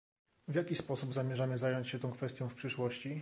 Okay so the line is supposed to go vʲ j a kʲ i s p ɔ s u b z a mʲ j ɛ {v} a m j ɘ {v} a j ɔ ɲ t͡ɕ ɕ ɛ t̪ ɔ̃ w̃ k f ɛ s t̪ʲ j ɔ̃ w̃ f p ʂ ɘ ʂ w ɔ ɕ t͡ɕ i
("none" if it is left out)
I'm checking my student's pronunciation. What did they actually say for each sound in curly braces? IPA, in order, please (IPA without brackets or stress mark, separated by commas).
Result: ʐ, z